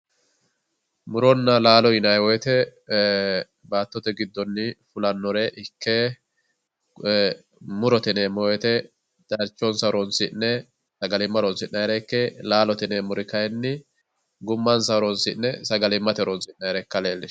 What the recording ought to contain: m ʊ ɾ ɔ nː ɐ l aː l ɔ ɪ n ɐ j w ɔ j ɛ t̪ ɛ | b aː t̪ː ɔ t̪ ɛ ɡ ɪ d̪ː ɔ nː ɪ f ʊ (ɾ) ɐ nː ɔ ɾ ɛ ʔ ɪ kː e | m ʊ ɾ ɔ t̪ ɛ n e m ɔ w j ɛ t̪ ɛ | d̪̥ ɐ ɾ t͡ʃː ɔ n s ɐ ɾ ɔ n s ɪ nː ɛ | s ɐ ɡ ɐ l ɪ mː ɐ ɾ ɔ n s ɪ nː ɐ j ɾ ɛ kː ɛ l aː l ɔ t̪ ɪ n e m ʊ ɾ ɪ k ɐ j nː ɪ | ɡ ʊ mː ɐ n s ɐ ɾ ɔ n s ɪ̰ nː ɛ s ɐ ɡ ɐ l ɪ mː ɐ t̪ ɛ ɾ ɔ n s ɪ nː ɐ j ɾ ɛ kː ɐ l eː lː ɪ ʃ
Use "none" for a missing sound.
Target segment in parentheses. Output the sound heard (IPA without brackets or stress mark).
l